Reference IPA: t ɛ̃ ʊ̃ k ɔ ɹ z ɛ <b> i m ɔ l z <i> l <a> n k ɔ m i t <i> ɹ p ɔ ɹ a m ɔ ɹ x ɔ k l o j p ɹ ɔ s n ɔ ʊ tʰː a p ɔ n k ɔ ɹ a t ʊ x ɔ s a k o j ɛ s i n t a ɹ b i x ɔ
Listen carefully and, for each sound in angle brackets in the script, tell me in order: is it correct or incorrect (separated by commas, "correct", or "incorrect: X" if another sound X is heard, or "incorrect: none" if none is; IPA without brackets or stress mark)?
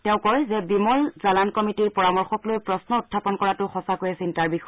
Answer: correct, incorrect: a, correct, correct